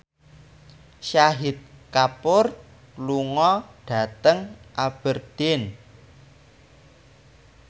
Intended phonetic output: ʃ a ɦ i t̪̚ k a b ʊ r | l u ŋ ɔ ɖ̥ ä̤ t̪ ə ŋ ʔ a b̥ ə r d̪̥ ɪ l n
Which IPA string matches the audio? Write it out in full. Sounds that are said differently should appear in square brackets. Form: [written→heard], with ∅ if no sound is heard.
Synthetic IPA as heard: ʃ a ɦ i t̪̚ k a [b→p] ʊ r | l u ŋ ɔ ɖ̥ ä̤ t̪ ə ŋ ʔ a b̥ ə r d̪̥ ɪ [l→∅] n